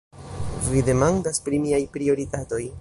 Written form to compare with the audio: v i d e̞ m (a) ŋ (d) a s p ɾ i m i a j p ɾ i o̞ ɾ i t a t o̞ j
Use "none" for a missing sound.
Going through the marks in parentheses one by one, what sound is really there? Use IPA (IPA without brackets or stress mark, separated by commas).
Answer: a, d